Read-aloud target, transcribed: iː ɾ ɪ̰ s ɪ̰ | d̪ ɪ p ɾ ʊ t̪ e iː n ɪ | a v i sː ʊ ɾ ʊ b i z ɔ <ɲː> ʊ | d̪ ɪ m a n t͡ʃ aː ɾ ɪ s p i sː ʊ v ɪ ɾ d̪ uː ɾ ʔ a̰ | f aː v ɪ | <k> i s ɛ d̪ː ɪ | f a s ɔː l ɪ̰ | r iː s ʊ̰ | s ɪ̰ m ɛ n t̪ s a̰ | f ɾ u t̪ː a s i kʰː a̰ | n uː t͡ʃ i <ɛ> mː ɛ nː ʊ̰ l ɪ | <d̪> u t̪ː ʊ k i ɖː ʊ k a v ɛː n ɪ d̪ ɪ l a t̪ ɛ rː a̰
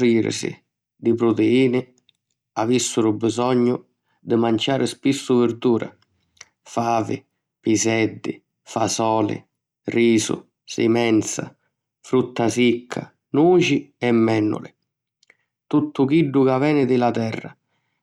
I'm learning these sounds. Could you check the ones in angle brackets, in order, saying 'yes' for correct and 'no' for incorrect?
yes, no, yes, no

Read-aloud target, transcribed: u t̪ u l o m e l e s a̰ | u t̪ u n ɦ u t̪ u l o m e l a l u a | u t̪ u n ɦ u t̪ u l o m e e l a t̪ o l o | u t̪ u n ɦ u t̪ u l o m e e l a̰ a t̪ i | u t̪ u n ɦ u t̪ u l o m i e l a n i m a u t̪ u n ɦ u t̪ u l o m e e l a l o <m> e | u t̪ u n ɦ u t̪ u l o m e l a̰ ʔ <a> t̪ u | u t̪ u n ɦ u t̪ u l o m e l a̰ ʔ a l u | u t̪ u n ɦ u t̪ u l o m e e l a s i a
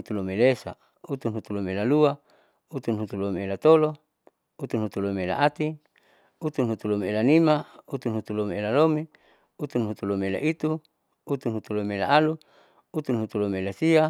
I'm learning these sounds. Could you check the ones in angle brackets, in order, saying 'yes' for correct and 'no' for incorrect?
yes, no

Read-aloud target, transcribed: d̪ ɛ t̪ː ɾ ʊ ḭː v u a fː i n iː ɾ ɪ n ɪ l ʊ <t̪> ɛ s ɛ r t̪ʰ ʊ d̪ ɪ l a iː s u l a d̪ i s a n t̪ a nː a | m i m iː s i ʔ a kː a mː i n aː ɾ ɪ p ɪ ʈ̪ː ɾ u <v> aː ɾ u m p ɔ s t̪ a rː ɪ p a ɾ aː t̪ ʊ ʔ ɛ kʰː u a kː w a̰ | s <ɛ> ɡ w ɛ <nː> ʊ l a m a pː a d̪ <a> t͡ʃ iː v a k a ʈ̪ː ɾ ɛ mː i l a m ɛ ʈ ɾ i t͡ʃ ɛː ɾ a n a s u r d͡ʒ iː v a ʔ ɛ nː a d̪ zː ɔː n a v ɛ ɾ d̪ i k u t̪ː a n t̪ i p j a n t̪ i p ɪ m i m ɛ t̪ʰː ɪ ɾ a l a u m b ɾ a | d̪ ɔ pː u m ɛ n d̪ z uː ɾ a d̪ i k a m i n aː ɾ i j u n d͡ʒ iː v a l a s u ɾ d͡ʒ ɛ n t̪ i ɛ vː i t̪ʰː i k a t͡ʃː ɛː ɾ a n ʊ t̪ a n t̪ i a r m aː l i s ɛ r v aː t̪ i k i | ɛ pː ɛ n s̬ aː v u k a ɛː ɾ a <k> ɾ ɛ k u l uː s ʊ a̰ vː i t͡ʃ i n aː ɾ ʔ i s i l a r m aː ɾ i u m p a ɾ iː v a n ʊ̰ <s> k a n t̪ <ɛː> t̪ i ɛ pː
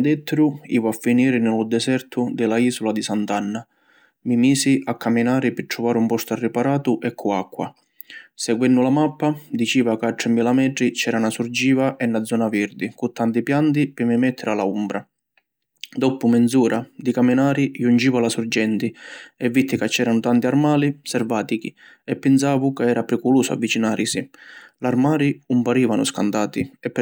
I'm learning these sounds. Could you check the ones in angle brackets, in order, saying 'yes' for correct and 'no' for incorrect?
no, yes, yes, yes, no, no, yes, no

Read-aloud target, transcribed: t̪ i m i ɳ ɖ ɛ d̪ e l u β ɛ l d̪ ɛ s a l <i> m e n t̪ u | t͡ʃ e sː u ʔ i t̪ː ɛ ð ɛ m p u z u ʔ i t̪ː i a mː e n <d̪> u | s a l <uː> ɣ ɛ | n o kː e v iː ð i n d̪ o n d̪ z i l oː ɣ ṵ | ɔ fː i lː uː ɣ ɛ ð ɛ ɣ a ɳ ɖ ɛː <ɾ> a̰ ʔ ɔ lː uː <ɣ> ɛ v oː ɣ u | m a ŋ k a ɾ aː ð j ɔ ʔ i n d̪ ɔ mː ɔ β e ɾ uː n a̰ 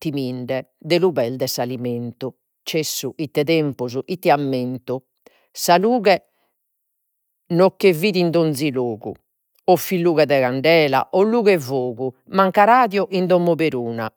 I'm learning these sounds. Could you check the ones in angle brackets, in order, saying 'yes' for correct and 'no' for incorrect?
yes, no, yes, no, yes

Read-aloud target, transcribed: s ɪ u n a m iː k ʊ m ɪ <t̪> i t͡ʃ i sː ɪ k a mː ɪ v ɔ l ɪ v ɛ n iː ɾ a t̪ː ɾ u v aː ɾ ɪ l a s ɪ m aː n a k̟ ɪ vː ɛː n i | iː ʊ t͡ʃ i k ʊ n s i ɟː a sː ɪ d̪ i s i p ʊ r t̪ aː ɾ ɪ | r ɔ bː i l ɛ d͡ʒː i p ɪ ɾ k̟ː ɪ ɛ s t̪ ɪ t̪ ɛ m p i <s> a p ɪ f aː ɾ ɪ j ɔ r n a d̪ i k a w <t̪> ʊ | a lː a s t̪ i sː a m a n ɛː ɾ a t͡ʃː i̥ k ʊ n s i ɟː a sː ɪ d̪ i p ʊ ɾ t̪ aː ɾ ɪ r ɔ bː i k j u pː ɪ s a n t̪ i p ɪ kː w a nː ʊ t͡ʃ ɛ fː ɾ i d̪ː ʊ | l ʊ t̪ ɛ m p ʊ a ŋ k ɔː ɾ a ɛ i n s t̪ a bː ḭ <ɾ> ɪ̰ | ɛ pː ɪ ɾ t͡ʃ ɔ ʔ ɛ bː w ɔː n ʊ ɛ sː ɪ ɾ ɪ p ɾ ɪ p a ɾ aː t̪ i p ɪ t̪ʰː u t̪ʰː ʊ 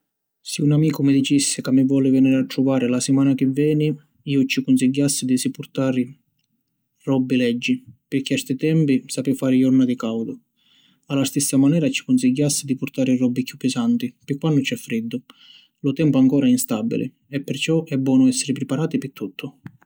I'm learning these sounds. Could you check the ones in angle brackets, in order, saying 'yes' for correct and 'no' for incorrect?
no, yes, no, no

